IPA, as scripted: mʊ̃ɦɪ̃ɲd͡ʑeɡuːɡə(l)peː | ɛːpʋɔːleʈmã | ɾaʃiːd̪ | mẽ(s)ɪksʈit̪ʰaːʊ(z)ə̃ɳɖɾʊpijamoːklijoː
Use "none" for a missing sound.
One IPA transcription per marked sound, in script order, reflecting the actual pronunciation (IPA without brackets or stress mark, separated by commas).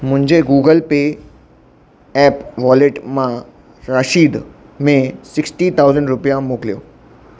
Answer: l, s, z